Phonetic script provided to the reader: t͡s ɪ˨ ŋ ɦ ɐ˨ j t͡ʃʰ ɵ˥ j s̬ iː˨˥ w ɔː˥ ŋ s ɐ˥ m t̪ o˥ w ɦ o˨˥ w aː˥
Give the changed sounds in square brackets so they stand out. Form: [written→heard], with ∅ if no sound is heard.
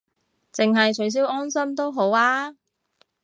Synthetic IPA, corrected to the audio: t͡s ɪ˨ ŋ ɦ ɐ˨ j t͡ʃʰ [ɵ˥→ɵ˨˥] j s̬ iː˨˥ w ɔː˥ [ŋ→n] s ɐ˥ m t̪ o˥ w ɦ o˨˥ w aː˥

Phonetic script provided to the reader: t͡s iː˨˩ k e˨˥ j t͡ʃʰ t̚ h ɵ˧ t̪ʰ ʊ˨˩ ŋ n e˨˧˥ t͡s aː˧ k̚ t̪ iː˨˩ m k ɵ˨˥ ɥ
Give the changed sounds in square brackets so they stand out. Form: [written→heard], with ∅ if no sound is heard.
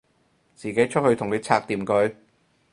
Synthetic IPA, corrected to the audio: t͡s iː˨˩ k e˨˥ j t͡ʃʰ t̚ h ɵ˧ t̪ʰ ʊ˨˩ ŋ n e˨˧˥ [t͡s→t͡sʰ] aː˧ k̚ t̪ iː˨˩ m k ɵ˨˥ ɥ

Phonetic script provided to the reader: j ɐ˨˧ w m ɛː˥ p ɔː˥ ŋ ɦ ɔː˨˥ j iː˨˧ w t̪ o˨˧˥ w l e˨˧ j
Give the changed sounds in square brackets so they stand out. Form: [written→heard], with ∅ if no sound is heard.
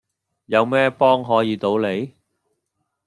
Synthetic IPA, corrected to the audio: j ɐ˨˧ w m ɛː˥ p ɔː˥ ŋ ɦ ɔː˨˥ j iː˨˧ [w→∅] t̪ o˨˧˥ w l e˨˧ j

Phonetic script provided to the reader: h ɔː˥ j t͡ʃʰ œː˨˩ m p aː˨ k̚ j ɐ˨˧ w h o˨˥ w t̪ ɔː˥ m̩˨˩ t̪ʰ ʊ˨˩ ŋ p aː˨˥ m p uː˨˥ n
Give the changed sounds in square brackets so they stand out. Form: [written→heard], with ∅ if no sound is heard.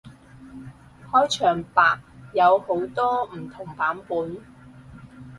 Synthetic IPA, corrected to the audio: h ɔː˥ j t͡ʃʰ œː˨˩ [m→ŋ] p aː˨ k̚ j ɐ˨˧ w h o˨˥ w t̪ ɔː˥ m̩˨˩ t̪ʰ ʊ˨˩ ŋ p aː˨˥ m p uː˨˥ n

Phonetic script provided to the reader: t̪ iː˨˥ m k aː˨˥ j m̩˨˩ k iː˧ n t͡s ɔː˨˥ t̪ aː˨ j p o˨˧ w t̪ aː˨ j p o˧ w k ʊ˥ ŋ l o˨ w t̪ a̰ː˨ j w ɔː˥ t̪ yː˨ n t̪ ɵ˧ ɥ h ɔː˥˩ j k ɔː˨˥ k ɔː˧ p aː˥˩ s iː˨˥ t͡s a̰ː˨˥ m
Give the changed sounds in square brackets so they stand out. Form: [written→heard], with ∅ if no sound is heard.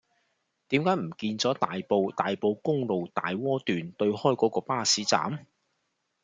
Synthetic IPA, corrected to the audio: t̪ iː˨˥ m k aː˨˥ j m̩˨˩ k iː˧ n t͡s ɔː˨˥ t̪ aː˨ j p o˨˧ w t̪ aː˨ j p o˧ w k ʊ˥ ŋ l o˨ w t̪ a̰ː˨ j w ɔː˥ t̪ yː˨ n t̪ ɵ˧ ɥ h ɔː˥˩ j k ɔː˨˥ k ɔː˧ p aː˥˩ s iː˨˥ t͡s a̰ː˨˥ m

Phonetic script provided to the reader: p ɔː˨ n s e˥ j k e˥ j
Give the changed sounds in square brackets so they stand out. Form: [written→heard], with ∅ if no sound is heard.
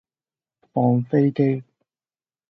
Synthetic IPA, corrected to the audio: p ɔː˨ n [s→f] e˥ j k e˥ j

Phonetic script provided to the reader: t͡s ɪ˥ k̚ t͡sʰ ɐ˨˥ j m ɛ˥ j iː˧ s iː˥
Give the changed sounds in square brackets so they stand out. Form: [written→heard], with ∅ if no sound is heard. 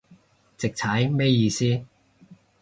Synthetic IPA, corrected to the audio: t͡s [ɪ˥→ɪ˨] k̚ t͡sʰ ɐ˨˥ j m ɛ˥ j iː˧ s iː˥

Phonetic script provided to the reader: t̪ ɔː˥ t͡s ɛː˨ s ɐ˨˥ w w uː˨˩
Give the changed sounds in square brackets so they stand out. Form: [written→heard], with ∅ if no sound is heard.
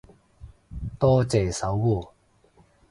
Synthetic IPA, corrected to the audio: t̪ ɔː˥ t͡s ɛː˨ s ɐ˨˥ w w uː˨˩

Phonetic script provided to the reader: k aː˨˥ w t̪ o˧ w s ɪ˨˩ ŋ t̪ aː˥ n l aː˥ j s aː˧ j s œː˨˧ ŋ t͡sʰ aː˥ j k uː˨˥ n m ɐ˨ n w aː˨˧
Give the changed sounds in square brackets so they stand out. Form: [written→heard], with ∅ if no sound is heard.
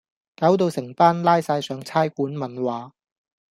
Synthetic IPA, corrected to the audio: k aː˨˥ w t̪ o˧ w s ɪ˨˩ ŋ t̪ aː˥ n l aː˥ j s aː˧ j s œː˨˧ ŋ t͡sʰ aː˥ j k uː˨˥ n m ɐ˨ n w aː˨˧

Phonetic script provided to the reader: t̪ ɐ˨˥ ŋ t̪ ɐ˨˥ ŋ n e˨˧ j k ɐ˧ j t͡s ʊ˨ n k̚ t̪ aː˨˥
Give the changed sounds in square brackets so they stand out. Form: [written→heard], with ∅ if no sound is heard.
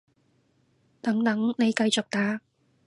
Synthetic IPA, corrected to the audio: t̪ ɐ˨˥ ŋ t̪ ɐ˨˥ ŋ n e˨˧ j k ɐ˧ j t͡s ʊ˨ [n→∅] k̚ t̪ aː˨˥

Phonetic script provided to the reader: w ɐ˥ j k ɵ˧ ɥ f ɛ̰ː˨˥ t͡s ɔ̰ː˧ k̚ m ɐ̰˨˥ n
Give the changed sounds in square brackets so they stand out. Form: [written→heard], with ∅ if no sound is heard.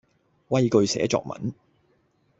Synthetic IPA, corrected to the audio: w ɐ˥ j k ɵ˧ ɥ [f→s] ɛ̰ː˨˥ t͡s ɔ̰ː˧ k̚ m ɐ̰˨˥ n

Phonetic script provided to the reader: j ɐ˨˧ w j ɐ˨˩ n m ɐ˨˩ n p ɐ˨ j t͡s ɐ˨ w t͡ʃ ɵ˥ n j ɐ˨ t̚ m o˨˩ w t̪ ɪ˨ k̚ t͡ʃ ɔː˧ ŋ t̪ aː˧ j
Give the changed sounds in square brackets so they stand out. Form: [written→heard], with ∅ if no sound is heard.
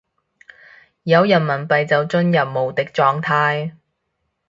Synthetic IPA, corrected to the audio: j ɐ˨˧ w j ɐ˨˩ n m ɐ˨˩ n p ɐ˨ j t͡s ɐ˨ w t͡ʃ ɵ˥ n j ɐ˨ [t̚→p̚] m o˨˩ w t̪ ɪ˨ k̚ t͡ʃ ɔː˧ ŋ [t̪→t̪ʰ] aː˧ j

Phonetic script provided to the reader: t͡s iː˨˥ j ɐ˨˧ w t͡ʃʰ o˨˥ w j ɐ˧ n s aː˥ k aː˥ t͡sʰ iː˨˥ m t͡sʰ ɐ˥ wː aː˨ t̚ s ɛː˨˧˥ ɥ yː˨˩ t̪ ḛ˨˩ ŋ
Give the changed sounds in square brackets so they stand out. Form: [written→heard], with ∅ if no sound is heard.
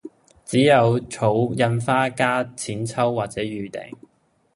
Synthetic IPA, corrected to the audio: t͡s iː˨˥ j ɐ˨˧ w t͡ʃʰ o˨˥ w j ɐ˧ n [s→f] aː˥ k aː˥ t͡sʰ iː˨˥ [m→n] t͡sʰ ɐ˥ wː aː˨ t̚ [s→t͡s] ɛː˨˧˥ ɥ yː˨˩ t̪ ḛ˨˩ ŋ

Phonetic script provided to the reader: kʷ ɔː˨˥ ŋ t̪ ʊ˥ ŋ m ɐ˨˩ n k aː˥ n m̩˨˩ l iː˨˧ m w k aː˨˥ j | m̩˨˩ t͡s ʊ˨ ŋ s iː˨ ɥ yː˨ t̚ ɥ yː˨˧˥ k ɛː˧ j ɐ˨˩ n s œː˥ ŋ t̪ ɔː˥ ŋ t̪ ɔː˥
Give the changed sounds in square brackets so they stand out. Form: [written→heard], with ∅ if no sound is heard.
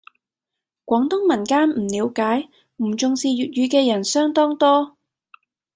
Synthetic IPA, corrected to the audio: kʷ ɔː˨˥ ŋ t̪ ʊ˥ ŋ m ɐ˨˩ n k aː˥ n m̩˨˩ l iː˨˧ [m→∅] w k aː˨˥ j | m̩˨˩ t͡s ʊ˨ ŋ s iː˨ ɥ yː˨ t̚ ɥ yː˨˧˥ k ɛː˧ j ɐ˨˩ n s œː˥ ŋ t̪ ɔː˥ ŋ t̪ ɔː˥

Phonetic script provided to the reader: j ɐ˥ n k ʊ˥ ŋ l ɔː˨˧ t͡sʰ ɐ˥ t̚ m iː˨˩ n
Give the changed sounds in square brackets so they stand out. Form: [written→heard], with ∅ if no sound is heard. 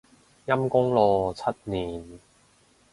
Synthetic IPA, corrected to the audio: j ɐ˥ [n→m] k ʊ˥ ŋ l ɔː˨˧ t͡sʰ ɐ˥ t̚ [m→n] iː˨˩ n

